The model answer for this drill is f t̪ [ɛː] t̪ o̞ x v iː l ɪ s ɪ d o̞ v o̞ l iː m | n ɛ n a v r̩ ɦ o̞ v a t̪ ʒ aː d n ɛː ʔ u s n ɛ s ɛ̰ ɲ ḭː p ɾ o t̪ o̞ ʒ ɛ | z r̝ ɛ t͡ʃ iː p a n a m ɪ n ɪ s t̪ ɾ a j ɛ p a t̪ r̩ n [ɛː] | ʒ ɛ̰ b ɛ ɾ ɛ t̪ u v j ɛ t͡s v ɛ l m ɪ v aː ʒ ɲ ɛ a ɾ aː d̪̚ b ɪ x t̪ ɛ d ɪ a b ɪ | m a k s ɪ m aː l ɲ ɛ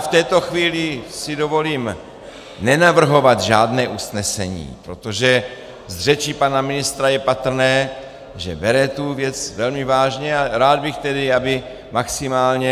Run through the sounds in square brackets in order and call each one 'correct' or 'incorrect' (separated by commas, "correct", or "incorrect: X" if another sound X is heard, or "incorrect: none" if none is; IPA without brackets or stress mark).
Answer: correct, correct